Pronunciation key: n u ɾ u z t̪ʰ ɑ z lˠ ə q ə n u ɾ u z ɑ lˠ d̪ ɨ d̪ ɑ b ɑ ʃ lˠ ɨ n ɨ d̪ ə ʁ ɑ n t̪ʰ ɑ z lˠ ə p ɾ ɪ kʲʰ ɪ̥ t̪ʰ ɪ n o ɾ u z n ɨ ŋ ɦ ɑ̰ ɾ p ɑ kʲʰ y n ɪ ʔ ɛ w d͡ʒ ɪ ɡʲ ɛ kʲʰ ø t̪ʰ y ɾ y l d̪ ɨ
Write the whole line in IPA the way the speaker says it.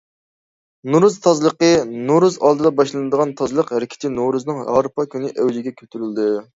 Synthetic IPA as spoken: n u ɾ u z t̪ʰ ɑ z lˠ ə q ə n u ɾ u z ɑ lˠ d̪ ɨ d̪ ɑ b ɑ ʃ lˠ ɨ n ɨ d̪ ə ʁ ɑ n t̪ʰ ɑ z lˠ ə q ɾ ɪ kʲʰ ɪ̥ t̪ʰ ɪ n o ɾ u z n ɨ ŋ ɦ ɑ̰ ɾ p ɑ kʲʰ y n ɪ ʔ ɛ w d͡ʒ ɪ ɡʲ ɛ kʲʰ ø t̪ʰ y ɾ y l d̪ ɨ